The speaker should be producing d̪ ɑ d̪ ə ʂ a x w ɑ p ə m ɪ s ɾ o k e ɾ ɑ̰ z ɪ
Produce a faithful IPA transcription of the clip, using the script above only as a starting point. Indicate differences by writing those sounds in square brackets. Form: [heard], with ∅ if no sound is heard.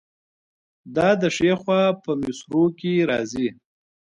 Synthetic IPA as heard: d̪ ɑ d̪ ə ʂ [e] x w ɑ p ə m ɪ s ɾ o k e ɾ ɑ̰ z [i]